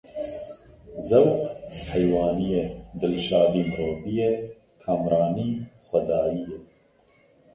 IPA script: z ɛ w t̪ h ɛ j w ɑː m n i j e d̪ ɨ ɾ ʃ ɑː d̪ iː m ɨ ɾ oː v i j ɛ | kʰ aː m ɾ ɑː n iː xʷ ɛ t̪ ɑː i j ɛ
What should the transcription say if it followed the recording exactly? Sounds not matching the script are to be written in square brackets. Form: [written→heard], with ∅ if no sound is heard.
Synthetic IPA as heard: z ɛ w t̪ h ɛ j w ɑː [m→∅] n i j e d̪ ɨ [ɾ→l] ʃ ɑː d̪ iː m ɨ ɾ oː v i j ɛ | kʰ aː m ɾ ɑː n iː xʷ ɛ [t̪→d̪] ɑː i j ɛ